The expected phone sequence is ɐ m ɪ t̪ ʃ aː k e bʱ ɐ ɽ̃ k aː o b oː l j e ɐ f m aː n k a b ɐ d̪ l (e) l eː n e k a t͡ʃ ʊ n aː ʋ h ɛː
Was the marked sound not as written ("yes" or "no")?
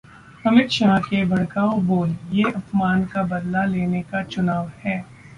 yes